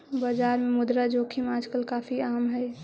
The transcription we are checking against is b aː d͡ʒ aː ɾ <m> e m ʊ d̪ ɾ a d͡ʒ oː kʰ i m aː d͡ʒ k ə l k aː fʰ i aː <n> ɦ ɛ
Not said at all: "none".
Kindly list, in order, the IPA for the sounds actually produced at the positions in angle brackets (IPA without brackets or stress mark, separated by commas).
m, m